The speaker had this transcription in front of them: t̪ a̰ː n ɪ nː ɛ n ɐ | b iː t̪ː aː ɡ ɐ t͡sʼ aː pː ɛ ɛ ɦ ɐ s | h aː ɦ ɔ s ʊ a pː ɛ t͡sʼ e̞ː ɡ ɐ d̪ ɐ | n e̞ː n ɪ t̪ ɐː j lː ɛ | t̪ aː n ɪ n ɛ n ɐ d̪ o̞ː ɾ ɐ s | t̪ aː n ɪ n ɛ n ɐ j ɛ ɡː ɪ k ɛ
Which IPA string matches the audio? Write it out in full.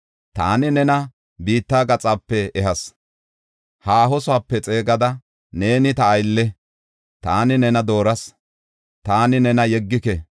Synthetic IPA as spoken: t̪ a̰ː n ɪ n ɛ n ɐ | b iː t̪ː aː ɡ ɐ t͡sʼ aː pː ɛ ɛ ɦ ɐ s | h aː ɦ ɔ s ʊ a pː ɛ t͡sʼ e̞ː ɡ ɐ d̪ ɐ | n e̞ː n ɪ t̪ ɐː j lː ɛ | t̪ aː n ɪ n ɛ n ɐ d̪ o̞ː ɾ ɐ s | t̪ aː n ɪ n ɛ n ɐ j ɛ ɡː ɪ k ɛ